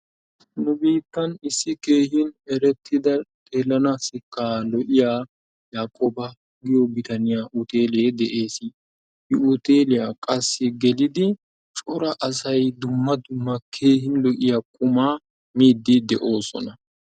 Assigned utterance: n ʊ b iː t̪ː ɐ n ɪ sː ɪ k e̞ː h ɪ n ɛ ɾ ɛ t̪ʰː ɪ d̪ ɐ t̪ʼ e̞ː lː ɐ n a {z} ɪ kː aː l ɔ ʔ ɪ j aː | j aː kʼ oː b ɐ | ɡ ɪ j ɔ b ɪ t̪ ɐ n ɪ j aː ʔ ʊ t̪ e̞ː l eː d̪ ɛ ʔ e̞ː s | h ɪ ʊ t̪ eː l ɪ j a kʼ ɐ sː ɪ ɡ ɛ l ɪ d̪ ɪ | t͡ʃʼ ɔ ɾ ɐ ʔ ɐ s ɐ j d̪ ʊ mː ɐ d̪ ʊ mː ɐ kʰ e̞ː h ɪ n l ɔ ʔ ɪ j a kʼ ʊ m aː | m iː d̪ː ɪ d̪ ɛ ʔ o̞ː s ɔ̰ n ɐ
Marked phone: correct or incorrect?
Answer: incorrect